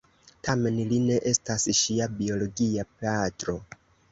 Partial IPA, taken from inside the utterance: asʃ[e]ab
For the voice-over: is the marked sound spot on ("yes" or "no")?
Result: no